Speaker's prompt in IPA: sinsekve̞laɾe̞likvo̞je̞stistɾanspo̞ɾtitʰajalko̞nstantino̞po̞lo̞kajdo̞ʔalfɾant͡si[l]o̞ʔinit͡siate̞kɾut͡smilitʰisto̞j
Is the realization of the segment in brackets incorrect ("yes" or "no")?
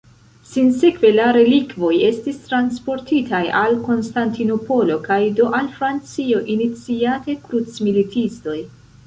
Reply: yes